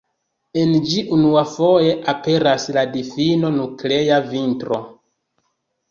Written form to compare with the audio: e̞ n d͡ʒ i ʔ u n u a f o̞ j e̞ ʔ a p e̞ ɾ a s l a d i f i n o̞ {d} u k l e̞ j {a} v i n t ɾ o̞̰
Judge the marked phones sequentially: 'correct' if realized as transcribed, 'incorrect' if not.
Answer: incorrect: n, correct

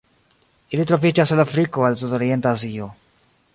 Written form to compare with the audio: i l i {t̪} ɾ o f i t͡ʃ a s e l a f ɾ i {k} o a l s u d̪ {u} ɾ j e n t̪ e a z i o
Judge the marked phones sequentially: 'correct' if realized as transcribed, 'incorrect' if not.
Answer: correct, correct, incorrect: o

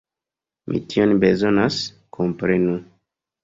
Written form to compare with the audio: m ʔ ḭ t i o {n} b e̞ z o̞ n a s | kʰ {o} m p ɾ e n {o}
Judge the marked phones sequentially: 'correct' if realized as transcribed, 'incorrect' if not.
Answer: correct, correct, incorrect: u

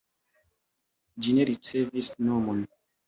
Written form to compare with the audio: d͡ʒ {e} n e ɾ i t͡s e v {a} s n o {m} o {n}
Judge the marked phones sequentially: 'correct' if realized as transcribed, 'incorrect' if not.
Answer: incorrect: i, incorrect: i, correct, correct

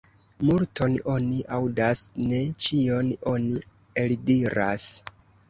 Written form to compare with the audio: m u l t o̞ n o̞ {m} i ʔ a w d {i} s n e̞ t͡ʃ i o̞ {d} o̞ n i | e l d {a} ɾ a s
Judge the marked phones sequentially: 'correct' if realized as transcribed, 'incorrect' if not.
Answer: incorrect: n, incorrect: a, incorrect: n, incorrect: i

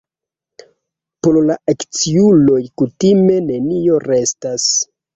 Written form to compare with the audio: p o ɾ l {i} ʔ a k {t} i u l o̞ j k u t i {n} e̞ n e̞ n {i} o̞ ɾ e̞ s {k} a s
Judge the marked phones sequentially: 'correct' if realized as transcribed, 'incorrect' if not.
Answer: incorrect: a, incorrect: t͡s, incorrect: m, correct, incorrect: t

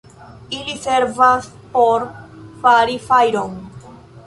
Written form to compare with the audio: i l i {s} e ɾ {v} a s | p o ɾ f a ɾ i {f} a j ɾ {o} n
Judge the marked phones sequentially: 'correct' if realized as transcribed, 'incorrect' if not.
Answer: correct, correct, correct, correct

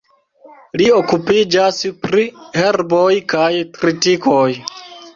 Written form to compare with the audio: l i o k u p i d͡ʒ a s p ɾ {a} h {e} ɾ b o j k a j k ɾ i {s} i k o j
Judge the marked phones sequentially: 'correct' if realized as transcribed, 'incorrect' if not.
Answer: incorrect: i, correct, incorrect: t

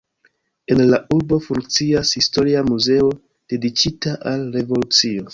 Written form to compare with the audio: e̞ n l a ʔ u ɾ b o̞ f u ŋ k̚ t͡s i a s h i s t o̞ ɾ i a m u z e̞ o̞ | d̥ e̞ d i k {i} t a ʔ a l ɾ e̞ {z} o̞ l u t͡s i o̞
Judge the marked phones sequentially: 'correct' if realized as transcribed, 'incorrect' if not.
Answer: correct, incorrect: v

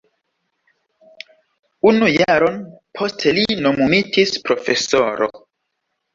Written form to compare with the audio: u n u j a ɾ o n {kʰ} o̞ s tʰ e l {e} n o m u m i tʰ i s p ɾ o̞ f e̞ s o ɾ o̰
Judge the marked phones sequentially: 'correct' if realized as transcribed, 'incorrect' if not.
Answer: incorrect: pʰ, incorrect: i

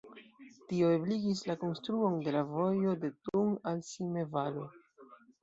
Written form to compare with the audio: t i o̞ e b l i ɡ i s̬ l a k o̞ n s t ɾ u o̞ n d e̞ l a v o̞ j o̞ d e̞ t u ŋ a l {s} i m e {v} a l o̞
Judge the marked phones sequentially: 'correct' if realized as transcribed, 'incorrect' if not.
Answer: correct, correct

